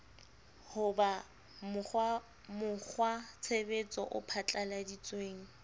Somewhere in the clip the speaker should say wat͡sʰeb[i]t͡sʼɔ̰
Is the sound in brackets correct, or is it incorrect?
incorrect